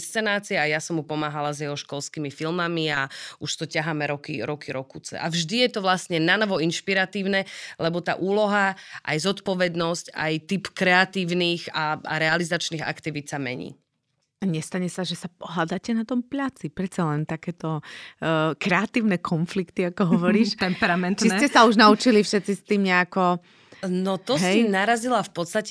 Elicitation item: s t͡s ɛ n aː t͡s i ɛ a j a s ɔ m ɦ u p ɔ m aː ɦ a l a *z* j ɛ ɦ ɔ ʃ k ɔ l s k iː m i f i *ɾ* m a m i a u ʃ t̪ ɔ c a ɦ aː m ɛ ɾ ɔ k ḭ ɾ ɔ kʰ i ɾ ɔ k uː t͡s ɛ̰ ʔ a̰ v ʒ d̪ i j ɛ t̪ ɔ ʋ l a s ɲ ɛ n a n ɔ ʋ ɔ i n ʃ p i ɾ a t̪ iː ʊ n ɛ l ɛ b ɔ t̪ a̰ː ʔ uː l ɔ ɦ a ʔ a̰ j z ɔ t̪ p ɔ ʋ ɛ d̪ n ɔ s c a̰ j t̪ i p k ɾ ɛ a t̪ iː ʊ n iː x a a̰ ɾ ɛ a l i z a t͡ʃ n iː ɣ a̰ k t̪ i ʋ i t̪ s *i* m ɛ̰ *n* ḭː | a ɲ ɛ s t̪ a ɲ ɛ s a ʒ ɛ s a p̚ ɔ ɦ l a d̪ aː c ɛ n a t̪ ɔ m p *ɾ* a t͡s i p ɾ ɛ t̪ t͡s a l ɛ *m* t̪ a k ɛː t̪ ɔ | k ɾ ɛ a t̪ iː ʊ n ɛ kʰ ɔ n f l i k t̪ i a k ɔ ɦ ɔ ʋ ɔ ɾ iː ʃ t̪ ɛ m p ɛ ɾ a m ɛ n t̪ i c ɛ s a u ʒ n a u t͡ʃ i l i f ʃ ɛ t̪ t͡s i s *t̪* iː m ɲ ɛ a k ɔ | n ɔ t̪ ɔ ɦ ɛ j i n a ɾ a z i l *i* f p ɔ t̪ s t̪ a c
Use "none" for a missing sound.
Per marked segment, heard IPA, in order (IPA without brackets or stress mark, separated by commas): z, l, a, ɲ, ʎ, n, t̪, a